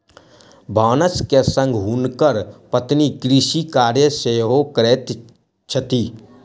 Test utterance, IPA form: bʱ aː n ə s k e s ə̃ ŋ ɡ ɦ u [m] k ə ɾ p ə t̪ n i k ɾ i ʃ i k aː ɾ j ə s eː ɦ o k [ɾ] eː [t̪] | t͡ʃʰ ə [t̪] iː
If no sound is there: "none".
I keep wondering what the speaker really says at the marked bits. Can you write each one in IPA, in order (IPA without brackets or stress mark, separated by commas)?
n, ɾ, t̪, t̪